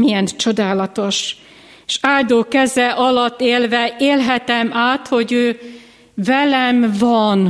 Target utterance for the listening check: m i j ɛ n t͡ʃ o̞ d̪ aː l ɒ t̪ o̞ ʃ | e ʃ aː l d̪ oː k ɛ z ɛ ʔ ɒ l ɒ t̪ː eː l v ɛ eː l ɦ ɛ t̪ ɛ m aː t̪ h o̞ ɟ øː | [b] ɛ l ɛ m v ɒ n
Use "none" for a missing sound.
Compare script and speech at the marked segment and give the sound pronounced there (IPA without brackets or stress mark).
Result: v